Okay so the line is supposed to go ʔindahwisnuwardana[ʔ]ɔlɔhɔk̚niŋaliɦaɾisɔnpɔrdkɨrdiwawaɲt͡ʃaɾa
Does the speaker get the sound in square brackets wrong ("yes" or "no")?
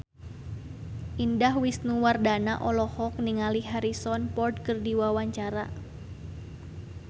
no